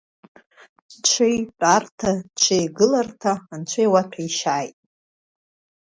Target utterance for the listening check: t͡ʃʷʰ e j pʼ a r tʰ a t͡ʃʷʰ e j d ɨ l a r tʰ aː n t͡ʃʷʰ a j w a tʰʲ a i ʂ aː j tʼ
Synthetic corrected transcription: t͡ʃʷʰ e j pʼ a r tʰ a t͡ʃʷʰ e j ɡ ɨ l a r tʰ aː n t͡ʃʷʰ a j w a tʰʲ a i ʃ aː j tʼ